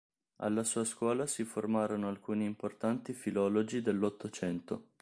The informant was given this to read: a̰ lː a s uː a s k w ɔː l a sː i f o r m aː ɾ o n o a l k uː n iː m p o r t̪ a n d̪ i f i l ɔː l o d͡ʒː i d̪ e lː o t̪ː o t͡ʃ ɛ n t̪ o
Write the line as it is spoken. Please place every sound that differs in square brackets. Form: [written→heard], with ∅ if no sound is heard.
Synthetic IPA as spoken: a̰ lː a s uː a s k w ɔː l a [sː→s] i f o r m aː ɾ o n o a l k uː n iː m p o r t̪ a n [d̪→t̪] i f i l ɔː l o [d͡ʒː→d͡ʒ] i d̪ e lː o t̪ː o t͡ʃ ɛ n t̪ o